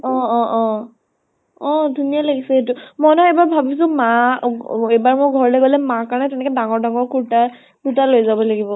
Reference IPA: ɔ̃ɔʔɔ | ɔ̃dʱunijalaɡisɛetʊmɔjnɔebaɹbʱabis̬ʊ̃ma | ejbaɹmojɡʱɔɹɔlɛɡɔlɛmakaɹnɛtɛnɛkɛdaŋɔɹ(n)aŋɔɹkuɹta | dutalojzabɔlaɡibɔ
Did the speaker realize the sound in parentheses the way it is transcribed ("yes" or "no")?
no